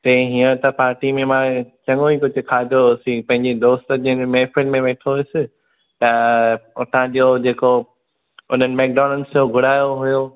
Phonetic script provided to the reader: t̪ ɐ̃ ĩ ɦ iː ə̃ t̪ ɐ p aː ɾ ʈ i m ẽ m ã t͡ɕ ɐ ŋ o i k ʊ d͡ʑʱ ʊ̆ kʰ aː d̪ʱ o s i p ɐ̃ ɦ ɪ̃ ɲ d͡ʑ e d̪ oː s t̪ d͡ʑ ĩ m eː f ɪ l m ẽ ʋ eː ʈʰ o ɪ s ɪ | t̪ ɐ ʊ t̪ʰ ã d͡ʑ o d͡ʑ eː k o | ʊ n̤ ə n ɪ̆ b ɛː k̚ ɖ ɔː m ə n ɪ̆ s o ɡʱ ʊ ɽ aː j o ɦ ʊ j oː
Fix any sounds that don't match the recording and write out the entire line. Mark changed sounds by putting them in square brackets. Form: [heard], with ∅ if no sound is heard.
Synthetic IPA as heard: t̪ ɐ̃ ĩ ɦ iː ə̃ t̪ ɐ p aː ɾ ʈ i m ẽ m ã t͡ɕ ɐ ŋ o i k ʊ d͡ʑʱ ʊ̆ kʰ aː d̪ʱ o s i p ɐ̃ ɦ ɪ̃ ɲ d͡ʑ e d̪ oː s t̪ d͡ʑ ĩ m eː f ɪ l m ẽ ʋ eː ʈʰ o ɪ s ɪ | t̪ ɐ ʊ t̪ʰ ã d͡ʑ o d͡ʑ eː k o | ʊ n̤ ə n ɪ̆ [m] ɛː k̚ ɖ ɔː [n] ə n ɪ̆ s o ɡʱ ʊ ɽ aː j o ɦ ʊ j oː